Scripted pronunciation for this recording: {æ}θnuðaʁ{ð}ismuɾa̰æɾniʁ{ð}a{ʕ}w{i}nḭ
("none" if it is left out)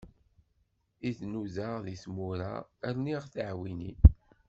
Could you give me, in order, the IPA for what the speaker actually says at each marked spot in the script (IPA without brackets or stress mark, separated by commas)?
i, ð, θ, ʕ, i